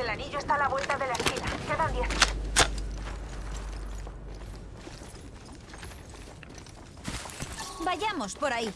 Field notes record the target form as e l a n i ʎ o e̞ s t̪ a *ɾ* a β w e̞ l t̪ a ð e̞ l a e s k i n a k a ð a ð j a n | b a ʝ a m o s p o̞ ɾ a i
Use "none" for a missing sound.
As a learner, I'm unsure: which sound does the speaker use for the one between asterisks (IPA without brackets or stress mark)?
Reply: l